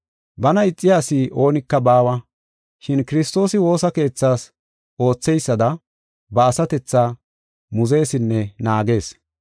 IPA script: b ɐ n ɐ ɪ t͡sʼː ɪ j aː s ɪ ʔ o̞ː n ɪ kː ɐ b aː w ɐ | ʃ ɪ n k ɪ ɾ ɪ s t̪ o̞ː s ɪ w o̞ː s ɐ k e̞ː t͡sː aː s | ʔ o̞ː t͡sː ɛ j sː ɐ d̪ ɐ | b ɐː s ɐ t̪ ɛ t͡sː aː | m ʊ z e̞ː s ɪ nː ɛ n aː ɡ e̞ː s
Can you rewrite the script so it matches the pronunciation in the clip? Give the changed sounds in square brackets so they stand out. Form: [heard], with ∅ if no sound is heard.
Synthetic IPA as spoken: b ɐ n ɐ ɪ t͡sʼː ɪ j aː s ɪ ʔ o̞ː n ɪ kː ɐ b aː w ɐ | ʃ ɪ n k ɪ ɾ ɪ s t̪ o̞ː s ɪ w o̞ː s ɐ k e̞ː t͡sː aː s | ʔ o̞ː t͡sː ɛ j sː ɐ d̪ ɐ | b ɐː s ɐ t̪ ɛ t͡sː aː | m ʊ z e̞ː s ɪ nː ɛ n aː ɡ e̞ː s